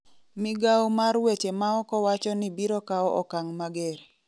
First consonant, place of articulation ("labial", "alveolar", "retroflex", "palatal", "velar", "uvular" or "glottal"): labial